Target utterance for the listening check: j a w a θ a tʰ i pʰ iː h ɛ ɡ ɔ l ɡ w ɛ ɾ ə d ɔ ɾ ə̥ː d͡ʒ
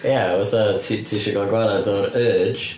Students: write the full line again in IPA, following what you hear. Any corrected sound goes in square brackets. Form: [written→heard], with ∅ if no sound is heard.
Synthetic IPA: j a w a θ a tʰ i [pʰ→tʰ] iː [h→ʃ] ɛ ɡ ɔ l ɡ w [ɛ→a] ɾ [ə→a] d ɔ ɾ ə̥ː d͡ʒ